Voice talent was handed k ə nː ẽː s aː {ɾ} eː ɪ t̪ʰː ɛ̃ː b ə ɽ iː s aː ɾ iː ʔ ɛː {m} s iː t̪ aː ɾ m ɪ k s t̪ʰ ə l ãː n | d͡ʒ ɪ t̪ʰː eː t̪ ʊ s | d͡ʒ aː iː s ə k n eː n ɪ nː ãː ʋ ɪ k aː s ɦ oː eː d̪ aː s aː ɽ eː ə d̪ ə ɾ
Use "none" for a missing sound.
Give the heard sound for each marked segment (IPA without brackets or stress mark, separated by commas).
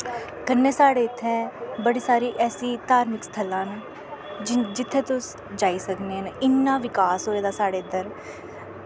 ɽ, none